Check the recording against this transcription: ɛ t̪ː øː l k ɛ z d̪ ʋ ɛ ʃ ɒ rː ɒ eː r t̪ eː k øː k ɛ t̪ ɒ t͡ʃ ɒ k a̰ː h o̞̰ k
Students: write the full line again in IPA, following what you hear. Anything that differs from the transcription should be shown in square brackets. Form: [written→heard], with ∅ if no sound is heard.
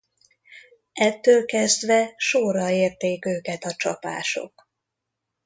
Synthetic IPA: ɛ t̪ː øː l k ɛ z d̪ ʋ ɛ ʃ [ɒ→o] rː ɒ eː r t̪ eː k øː k ɛ t̪ ɒ t͡ʃ ɒ [k→p] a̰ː [h→ʃ] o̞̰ k

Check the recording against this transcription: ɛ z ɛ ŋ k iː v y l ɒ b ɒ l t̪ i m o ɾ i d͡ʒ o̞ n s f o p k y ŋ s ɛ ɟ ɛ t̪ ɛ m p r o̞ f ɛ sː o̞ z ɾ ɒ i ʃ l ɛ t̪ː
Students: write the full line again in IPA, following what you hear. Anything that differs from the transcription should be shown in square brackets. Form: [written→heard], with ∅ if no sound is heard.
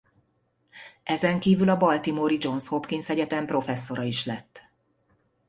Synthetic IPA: ɛ z ɛ ŋ k iː v y l ɒ b ɒ l t̪ i m o ɾ i d͡ʒ o̞ n s [f→h] o p k [y→i] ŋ s ɛ ɟ ɛ t̪ ɛ m p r o̞ f ɛ sː o̞ [z→∅] ɾ ɒ i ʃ l ɛ t̪ː

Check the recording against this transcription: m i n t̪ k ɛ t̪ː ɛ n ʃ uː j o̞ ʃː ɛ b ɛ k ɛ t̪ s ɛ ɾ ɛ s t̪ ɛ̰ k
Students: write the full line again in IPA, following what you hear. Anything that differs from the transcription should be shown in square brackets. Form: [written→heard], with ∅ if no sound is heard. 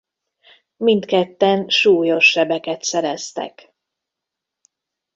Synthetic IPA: m i n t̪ k ɛ t̪ː ɛ n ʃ uː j o̞ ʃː ɛ b ɛ k ɛ t̪ s ɛ ɾ ɛ s t̪ ɛ̰ k

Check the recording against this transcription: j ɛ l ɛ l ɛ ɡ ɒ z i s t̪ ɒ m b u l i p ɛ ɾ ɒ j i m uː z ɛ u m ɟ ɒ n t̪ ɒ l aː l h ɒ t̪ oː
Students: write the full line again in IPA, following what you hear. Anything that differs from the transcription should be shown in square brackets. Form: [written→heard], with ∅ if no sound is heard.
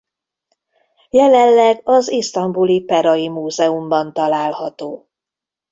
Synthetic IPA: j ɛ l ɛ [l→lː] ɛ ɡ ɒ z i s t̪ ɒ m b u l i p ɛ ɾ ɒ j i m uː z ɛ u m [ɟ→b] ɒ n t̪ ɒ l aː l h ɒ t̪ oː

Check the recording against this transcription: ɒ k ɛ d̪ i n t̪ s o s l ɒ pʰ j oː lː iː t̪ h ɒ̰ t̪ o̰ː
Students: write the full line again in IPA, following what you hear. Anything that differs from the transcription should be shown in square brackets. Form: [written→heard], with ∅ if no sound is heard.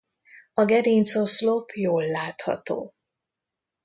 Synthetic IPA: ɒ [k→ɡ] ɛ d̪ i n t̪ s o s l [ɒ→o] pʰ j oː lː [iː→aː] t̪ h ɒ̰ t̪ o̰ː

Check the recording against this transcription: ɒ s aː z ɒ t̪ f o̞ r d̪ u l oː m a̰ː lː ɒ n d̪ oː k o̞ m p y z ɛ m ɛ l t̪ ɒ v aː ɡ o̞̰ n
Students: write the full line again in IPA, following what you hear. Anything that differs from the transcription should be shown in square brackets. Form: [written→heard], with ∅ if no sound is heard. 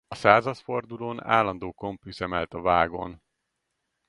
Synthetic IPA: ɒ s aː z ɒ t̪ f o̞ r d̪ u l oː [m→n] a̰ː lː ɒ n d̪ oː k o̞ m p y z ɛ m ɛ l t̪ ɒ v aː ɡ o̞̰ n

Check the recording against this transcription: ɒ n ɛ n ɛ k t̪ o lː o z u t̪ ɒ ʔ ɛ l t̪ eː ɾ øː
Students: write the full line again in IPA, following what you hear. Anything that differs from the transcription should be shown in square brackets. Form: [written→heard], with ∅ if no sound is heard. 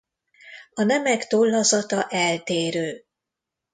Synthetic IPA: ɒ n ɛ [n→m] ɛ k t̪ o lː [o→ɒ] z [u→ɒ] t̪ ɒ ʔ ɛ l t̪ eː ɾ øː

